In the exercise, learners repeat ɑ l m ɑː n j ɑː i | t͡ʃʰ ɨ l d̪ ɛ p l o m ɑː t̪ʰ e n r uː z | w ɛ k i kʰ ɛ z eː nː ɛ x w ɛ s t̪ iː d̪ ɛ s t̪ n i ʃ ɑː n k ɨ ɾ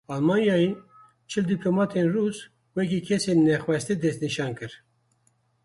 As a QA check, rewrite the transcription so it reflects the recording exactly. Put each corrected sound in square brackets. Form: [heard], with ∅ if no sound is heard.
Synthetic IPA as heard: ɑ l m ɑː n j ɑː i | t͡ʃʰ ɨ l d̪ [i] p l o m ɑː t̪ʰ e n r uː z | w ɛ k i kʰ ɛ [s] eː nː ɛ x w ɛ s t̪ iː d̪ ɛ s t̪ n i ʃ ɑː n k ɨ ɾ